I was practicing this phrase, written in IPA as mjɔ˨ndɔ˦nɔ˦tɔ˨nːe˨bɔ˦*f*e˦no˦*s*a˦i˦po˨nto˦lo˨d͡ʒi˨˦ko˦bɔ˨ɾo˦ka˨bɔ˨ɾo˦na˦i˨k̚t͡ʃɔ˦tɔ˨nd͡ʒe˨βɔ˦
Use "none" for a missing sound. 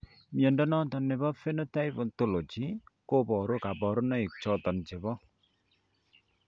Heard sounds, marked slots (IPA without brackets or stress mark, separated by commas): f, t